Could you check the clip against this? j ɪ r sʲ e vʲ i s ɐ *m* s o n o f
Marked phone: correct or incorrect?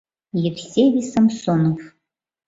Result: correct